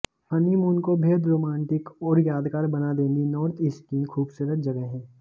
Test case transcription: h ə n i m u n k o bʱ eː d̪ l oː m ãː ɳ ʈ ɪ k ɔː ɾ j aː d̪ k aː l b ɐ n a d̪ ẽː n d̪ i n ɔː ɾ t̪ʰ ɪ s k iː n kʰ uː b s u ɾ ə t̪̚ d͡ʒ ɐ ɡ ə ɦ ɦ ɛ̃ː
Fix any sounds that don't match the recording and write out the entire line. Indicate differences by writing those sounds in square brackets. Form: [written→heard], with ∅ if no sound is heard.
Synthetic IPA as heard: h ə n i m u n k o bʱ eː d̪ [l→ɾ] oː m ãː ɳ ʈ ɪ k ɔː ɾ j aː d̪ k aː [l→ɾ] b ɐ n a d̪ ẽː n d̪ i n ɔː ɾ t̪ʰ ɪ s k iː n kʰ uː b s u ɾ ə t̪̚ d͡ʒ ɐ ɡ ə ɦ ɦ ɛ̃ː

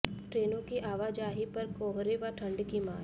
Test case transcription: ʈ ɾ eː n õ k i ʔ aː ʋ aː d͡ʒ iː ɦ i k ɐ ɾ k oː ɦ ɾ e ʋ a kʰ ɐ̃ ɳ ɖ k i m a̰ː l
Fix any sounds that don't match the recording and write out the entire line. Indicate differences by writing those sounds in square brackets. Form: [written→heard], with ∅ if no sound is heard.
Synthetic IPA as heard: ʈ ɾ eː n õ k i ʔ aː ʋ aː d͡ʒ [iː→aː] ɦ i [k→p] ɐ ɾ k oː ɦ ɾ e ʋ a [kʰ→ʈʰ] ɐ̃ ɳ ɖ k i m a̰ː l

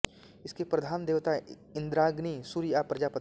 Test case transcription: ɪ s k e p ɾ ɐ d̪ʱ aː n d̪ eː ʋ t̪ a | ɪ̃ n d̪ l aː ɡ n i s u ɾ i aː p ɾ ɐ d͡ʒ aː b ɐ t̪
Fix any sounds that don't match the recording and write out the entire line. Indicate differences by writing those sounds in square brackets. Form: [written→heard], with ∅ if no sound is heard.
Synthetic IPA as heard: ɪ s k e p ɾ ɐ d̪ʱ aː n d̪ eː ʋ t̪ a | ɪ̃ n d̪ [l→ɾ] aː ɡ n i s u ɾ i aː p ɾ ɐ d͡ʒ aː [b→p] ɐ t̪

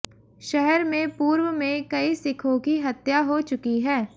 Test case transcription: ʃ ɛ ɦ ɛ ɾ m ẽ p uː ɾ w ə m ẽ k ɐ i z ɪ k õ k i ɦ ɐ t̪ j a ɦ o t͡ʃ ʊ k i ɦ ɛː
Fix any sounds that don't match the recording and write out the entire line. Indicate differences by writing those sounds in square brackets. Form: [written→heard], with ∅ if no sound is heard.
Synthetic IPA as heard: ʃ ɛ ɦ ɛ ɾ m ẽ p uː ɾ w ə m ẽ k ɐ i [z→s] ɪ [k→kʰ] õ k i ɦ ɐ t̪ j a ɦ o t͡ʃ ʊ k i ɦ ɛː

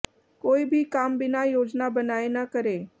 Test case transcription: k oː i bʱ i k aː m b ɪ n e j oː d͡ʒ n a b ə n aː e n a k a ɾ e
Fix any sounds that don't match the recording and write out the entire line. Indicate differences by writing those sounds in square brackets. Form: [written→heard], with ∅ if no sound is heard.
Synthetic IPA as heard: k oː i bʱ i k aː m b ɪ n [e→a] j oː d͡ʒ n a b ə n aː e n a k [a→ə] ɾ e

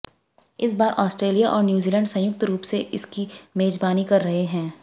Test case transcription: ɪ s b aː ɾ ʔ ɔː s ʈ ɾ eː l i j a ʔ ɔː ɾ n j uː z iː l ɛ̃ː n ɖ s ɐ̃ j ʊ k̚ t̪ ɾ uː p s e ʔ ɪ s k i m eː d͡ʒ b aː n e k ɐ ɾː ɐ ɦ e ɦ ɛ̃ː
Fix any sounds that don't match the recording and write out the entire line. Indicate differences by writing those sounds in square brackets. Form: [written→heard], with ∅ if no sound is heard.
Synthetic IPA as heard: ɪ s b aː ɾ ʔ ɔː s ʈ ɾ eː l i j a ʔ ɔː ɾ n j uː z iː l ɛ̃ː [n→ɳ] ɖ s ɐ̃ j ʊ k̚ t̪ ɾ uː p s e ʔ ɪ s k i m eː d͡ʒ b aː n [e→i] k ɐ ɾː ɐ ɦ e ɦ ɛ̃ː

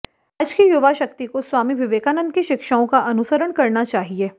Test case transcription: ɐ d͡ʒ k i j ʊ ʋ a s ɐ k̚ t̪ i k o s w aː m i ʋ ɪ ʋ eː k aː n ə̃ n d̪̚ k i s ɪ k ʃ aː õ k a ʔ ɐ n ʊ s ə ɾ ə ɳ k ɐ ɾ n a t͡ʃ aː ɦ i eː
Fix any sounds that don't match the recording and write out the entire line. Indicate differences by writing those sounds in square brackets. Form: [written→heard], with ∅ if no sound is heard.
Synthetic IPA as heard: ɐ d͡ʒ k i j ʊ ʋ a [s→ʃ] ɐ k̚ t̪ i k o s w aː m i ʋ ɪ ʋ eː k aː n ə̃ n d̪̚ k i [s→ʃ] ɪ k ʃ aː õ k a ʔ ɐ n ʊ s ə ɾ ə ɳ k ɐ ɾ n a t͡ʃ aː ɦ i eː

